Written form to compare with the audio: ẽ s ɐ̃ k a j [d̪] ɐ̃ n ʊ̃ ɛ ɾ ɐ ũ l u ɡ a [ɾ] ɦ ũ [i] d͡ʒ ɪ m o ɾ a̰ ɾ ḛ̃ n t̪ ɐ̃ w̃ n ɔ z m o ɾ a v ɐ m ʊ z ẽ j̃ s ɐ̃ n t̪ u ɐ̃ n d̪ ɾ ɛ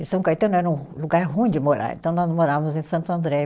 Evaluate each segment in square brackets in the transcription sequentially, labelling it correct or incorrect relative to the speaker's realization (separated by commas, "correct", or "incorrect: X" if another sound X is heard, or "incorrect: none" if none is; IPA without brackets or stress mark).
incorrect: t̪, correct, incorrect: ĩ